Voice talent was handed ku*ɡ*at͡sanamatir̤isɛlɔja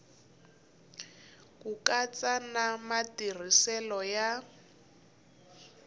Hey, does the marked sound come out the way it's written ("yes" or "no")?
no